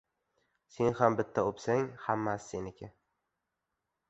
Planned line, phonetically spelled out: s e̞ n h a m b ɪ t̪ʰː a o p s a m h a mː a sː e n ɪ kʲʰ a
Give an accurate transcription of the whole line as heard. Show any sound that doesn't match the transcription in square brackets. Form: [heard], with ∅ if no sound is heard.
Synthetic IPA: s e̞ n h a m b ɪ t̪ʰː a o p s a [ŋ] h a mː a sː e n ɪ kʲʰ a